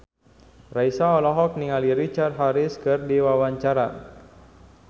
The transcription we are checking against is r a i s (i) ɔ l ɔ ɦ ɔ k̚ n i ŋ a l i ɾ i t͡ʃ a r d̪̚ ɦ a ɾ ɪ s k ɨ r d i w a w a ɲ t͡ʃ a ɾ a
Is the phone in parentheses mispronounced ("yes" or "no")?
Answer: yes